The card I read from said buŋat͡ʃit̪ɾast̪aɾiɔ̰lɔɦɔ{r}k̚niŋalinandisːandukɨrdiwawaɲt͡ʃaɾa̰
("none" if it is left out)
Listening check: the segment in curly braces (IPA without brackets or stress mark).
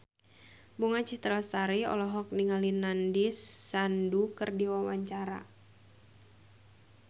none